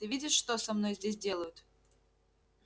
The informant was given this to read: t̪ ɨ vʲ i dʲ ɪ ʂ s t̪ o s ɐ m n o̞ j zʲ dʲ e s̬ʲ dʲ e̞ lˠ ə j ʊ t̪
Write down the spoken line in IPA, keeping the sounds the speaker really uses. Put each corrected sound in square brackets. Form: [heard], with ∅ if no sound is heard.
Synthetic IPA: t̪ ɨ vʲ i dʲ ɪ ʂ [ʂ] t̪ o s ɐ m n o̞ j zʲ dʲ e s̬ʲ dʲ e̞ lˠ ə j ʊ t̪